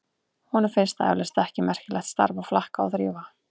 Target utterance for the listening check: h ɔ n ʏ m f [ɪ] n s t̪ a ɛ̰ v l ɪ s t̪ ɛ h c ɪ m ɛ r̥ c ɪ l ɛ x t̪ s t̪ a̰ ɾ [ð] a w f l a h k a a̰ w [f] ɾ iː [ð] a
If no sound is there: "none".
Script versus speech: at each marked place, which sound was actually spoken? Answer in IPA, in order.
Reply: ɪ, v, θ, v

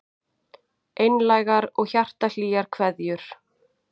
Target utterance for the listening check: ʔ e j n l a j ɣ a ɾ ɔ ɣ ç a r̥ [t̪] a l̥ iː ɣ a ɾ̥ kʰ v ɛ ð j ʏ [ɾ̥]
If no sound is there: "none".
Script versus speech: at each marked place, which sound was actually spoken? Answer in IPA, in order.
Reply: t̪, ɾ̥

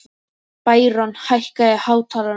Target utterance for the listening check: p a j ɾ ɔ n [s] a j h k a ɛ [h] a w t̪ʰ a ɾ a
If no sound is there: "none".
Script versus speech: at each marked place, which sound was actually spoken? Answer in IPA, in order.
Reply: h, h

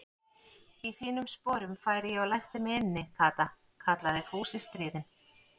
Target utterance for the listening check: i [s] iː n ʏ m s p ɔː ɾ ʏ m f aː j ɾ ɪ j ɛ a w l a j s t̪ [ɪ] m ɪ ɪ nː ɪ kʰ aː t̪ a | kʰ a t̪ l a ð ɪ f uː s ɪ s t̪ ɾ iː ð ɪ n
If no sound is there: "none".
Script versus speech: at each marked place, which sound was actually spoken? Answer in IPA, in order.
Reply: θ, ɪ

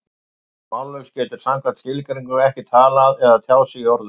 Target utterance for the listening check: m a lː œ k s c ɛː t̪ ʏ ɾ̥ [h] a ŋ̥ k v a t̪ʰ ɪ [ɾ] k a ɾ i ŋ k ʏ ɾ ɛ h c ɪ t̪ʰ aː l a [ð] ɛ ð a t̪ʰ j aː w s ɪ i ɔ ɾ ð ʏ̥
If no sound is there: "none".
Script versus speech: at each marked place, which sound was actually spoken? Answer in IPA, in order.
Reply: s, l, ð

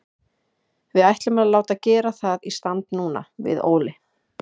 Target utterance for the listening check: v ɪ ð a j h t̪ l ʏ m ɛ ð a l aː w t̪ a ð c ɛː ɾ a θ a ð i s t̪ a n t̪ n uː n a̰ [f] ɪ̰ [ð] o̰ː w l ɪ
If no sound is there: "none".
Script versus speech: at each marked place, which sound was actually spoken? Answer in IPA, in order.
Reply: v, ð

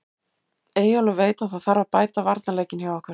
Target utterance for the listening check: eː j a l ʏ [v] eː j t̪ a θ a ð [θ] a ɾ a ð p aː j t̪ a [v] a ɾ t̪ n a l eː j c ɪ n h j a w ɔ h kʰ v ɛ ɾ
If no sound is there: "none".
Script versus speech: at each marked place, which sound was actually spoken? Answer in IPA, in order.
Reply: v, θ, v

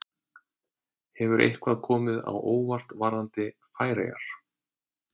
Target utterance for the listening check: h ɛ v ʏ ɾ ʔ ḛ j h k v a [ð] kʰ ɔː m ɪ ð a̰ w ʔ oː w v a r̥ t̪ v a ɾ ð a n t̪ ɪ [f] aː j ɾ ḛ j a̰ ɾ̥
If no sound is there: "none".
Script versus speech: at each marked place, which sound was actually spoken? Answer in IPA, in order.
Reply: ð, f

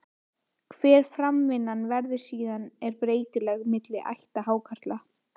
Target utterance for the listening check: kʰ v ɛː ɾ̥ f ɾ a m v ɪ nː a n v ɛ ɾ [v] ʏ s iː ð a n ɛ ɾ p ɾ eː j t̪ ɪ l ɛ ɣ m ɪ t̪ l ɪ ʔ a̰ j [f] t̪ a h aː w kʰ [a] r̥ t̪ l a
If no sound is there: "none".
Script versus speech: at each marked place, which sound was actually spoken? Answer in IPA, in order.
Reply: ð, h, a

